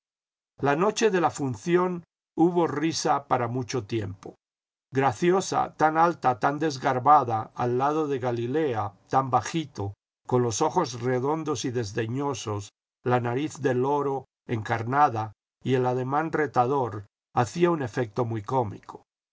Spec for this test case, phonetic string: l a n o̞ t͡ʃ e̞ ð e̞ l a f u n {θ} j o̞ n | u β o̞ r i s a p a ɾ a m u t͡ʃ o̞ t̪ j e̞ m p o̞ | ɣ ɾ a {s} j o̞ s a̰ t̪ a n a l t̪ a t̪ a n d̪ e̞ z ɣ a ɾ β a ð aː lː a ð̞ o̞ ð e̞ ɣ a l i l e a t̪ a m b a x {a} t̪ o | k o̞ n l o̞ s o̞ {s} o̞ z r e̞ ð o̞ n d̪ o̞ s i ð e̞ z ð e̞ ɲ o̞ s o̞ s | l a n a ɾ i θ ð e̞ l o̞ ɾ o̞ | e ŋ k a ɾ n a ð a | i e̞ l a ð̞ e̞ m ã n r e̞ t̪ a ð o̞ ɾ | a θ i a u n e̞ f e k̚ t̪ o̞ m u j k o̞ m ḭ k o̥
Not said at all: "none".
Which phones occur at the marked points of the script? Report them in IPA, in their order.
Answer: θ, θ, i, x

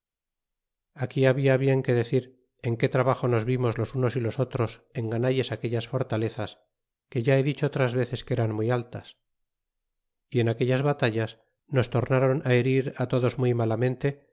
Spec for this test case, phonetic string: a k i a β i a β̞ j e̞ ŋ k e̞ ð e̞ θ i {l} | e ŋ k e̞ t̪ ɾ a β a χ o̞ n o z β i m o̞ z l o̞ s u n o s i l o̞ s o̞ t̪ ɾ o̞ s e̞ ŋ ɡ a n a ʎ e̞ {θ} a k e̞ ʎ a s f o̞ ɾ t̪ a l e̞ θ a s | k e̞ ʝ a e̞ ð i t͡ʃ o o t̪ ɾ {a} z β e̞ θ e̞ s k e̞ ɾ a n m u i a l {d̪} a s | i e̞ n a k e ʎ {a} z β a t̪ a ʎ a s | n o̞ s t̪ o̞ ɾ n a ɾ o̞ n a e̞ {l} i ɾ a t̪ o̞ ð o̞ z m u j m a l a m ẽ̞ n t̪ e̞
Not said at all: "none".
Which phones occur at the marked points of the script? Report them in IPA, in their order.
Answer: ɾ, s, a, t̪, a, ɾ

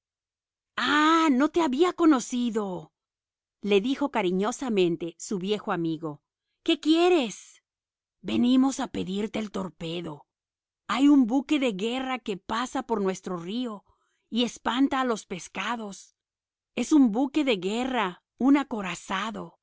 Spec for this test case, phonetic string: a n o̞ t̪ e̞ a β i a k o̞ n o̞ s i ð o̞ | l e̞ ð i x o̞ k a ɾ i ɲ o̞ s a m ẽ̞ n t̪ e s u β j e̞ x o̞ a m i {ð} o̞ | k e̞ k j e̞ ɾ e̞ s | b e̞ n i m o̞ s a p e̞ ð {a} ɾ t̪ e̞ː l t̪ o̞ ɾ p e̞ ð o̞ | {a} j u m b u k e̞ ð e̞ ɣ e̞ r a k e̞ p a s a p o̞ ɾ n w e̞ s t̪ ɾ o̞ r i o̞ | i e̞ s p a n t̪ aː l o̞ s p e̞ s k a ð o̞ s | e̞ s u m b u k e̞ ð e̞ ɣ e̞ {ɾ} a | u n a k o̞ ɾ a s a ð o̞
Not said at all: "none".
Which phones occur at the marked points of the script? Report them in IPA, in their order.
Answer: ɣ, i, a, r

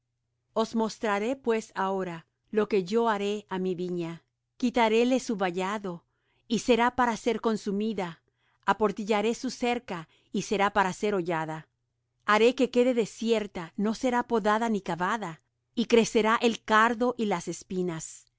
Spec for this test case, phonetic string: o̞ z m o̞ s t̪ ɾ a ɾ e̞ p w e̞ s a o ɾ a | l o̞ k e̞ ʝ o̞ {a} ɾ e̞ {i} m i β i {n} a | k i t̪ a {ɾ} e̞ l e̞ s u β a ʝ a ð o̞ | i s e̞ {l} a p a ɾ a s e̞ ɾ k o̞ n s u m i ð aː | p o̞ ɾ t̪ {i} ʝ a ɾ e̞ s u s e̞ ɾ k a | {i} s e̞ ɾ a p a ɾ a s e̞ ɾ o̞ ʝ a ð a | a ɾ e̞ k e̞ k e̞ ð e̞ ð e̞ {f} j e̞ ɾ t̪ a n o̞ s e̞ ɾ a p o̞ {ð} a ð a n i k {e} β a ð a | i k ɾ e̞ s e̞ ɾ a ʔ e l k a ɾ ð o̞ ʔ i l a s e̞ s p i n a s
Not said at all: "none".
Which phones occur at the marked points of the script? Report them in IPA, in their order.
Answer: a, a, ɲ, ɾ, ɾ, i, i, s, ð, a

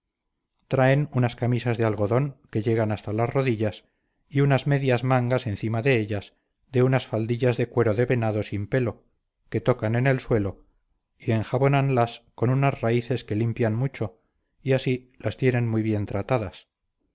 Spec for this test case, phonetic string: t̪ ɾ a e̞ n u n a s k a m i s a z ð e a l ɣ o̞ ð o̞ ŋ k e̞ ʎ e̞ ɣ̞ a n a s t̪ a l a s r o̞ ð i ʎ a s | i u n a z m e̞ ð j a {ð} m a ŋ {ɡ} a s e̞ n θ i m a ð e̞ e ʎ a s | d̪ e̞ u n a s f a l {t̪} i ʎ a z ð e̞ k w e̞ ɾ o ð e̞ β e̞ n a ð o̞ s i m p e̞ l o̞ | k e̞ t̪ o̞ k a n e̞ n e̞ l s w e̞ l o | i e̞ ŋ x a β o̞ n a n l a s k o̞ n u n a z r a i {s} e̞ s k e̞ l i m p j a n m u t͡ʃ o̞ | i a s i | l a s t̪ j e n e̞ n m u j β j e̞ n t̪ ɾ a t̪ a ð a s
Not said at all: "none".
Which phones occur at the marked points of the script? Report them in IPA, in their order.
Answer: z, ɡ, d̪, θ

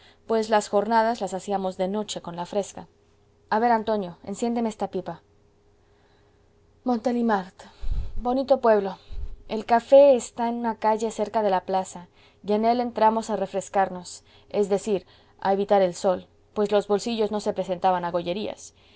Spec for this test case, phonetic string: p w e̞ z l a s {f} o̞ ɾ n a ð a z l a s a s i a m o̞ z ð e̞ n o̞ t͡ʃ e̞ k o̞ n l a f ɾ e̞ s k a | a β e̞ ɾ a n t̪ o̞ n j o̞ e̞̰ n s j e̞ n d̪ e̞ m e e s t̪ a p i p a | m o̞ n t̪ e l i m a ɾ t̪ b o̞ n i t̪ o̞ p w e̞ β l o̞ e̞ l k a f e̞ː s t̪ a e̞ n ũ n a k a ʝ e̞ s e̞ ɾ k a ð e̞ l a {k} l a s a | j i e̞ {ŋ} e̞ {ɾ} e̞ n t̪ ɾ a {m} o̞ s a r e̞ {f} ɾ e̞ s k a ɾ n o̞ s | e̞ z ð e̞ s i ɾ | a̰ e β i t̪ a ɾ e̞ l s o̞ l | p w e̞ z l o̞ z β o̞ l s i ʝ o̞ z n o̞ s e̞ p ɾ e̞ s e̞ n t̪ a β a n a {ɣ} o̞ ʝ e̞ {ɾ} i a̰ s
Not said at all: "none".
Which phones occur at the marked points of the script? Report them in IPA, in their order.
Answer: x, p, n, l, m, f, ɣ, ɾ

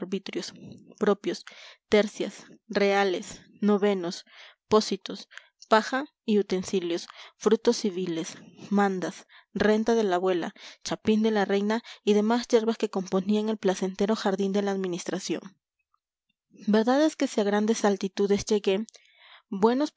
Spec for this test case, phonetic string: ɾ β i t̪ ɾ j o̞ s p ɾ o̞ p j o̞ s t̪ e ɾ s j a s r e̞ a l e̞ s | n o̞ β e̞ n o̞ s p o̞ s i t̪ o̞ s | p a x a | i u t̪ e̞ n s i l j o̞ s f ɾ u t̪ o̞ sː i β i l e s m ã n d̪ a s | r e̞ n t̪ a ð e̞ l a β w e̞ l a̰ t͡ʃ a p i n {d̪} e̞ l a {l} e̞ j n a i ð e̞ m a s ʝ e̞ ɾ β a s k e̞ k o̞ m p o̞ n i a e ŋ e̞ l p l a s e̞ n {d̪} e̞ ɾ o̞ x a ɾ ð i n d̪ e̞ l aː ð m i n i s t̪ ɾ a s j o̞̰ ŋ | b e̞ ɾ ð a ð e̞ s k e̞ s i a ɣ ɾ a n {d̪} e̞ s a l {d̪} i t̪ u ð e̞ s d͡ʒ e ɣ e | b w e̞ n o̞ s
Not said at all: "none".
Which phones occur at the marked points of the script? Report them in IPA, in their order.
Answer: d̪, r, t̪, d̪, t̪

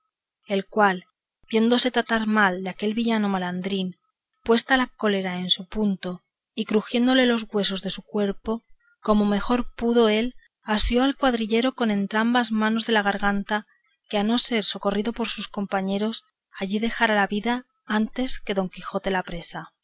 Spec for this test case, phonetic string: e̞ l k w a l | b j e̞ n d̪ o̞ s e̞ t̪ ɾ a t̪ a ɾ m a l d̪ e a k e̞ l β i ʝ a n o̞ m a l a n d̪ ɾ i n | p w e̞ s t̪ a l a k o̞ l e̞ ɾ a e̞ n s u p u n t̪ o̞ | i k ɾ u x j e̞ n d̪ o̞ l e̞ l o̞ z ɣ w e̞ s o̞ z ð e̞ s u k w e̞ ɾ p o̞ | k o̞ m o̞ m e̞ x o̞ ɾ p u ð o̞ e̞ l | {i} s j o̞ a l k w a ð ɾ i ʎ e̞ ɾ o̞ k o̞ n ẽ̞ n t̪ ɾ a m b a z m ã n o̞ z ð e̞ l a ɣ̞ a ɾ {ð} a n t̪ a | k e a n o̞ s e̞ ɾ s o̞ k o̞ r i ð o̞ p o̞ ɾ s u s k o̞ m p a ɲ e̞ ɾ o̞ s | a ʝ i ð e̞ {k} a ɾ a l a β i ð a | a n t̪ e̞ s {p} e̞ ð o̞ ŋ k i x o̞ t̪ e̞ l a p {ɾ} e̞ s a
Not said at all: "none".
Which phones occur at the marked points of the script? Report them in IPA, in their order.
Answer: a, ɣ, x, k, ɾ

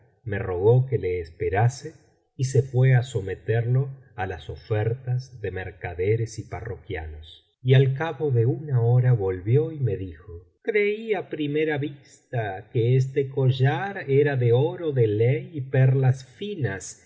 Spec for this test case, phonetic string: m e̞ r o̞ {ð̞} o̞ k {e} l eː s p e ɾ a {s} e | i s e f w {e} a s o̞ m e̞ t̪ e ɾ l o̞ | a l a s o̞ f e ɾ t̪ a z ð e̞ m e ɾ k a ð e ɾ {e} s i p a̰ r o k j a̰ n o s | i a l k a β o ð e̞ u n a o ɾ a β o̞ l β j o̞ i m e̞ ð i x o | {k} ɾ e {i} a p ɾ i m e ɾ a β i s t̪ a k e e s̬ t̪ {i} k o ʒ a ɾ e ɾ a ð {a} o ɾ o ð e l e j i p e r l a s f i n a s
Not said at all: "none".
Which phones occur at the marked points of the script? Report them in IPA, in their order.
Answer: ɣ̞, e, s, e, e, k, i, e, e

